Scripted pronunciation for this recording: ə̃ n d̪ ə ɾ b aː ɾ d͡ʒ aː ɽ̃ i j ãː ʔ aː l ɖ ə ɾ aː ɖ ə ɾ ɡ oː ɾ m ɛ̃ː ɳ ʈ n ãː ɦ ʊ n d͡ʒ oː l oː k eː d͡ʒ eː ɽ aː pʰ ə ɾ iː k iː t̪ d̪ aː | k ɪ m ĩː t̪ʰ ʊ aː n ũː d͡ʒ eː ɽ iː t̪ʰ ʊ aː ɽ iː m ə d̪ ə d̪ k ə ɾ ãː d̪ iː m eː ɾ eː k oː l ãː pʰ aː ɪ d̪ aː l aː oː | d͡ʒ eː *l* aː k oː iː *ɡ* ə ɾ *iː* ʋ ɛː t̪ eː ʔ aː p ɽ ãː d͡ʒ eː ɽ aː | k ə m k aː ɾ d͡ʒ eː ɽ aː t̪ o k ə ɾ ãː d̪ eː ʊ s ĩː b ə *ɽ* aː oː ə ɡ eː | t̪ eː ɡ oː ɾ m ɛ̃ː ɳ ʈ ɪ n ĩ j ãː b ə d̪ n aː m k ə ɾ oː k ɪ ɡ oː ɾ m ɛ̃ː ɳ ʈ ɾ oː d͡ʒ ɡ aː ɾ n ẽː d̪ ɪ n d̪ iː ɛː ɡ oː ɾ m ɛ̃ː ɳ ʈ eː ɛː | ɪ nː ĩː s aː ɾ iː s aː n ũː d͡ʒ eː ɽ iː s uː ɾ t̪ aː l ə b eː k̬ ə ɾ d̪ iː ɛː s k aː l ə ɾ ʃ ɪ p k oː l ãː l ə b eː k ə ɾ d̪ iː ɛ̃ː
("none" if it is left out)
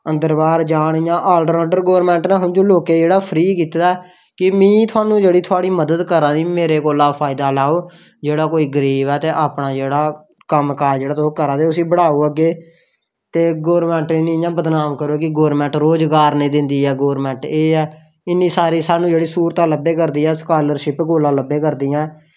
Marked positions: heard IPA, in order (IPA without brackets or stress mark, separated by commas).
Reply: ɽ, ɡ, iː, ɽ